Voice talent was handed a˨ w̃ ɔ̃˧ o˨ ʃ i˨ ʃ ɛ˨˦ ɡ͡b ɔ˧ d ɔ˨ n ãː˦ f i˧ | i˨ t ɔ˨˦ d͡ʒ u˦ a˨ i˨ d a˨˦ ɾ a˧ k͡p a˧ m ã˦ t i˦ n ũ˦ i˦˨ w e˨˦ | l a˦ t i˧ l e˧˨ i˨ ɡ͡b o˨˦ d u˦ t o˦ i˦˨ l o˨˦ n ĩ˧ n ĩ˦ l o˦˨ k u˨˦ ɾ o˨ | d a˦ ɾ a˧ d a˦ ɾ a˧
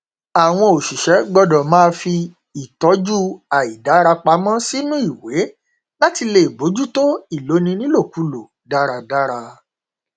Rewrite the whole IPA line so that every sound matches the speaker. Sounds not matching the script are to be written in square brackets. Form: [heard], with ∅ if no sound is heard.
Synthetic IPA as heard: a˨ w̃ ɔ̃˧ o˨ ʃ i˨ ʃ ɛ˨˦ ɡ͡b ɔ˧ d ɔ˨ [m] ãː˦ f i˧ | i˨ t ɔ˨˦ d͡ʒ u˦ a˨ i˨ d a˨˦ ɾ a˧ k͡p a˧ m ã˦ [s] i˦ n ũ˦ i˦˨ w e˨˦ | l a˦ t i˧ l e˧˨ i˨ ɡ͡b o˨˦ [d͡ʒ] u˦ t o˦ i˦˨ l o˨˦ n ĩ˧ n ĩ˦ l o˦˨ k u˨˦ [l] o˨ | d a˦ ɾ a˧ d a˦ ɾ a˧